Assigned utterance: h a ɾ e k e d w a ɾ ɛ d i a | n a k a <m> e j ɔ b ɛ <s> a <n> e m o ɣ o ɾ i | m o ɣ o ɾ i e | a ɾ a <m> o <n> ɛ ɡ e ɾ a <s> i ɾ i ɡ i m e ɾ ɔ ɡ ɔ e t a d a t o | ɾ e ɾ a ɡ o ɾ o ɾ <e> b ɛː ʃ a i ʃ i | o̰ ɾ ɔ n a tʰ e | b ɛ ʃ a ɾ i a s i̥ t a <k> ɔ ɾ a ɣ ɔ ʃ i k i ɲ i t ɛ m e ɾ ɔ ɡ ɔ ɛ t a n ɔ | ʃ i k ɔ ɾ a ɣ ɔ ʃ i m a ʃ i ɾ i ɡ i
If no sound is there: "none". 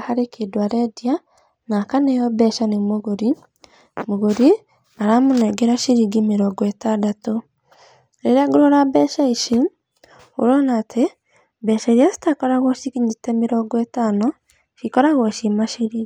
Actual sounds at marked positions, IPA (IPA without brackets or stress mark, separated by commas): n, ʃ, n, m, n, ʃ, a, k